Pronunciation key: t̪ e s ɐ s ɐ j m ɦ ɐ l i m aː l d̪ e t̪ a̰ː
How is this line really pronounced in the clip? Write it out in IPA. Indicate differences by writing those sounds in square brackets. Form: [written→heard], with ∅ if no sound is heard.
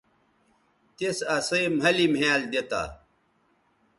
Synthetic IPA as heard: t̪ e s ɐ s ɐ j m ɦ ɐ l i m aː l d̪ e t̪ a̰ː

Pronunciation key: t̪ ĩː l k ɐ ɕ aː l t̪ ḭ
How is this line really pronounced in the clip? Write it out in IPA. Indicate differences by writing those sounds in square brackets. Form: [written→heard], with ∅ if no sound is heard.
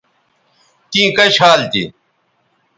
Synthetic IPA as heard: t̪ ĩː [l→∅] k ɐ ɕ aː l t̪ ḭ

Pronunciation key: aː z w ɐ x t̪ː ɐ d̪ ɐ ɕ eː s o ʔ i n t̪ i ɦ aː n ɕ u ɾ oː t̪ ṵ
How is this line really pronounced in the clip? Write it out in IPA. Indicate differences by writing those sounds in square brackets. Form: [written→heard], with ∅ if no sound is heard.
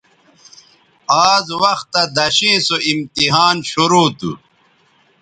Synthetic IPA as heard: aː z w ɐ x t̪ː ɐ d̪ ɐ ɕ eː s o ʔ i [n→m] t̪ i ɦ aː n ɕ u ɾ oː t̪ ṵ

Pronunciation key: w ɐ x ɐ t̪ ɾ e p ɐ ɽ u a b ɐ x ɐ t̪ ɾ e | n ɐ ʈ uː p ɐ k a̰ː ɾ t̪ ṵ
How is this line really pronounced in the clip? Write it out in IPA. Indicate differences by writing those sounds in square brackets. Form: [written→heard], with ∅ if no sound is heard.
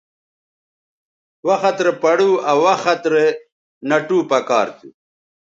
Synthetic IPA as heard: w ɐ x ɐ t̪ ɾ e p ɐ ɽ u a [b→w] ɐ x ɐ t̪ ɾ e | n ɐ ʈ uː p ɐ k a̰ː ɾ t̪ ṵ

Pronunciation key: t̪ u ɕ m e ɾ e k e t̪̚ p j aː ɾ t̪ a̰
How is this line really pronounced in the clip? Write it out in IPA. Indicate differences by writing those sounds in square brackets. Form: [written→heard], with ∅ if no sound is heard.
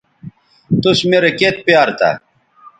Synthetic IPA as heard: t̪ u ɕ m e ɾ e k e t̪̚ p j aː ɾ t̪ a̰

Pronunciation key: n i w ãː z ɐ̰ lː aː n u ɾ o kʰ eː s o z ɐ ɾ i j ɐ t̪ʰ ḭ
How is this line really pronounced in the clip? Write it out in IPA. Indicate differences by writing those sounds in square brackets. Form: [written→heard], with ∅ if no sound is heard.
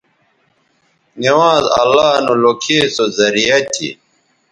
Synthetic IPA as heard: n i w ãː z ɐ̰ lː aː n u [ɾ→l] o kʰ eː s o z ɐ ɾ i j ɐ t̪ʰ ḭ

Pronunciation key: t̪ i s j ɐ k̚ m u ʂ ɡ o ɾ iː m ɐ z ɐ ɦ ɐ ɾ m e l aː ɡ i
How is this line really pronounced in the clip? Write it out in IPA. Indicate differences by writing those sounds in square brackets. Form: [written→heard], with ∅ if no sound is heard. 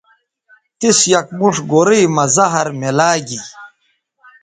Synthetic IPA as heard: t̪ i s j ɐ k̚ m u ʂ ɡ o ɾ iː m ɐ z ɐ ɦ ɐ ɾ m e l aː ɡ i

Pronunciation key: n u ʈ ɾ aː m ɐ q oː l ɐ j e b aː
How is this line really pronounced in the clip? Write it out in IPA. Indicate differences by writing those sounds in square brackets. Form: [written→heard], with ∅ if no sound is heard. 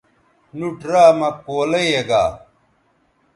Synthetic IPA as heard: n u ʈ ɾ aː m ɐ [q→k] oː l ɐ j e [b→ɡ] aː

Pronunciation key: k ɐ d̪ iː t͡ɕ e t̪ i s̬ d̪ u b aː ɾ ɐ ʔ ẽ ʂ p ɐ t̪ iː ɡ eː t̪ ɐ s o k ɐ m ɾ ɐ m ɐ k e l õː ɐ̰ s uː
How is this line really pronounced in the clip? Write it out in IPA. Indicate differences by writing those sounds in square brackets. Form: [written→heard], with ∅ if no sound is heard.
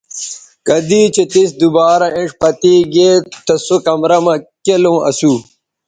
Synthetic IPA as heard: k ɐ d̪ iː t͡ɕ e t̪ i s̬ d̪ u b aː ɾ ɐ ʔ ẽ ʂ p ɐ t̪ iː ɡ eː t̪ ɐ s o k ɐ m ɾ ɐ m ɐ k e l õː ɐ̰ s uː

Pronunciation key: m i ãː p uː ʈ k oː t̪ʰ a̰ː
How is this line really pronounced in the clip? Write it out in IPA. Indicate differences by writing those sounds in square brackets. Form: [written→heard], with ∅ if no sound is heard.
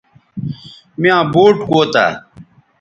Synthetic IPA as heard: m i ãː [p→b] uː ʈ k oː [t̪ʰ→t̪] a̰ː

